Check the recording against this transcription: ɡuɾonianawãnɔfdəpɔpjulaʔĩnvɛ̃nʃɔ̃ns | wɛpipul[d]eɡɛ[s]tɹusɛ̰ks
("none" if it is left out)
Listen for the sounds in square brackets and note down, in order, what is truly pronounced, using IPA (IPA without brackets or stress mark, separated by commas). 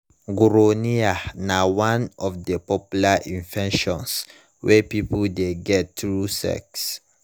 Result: d, t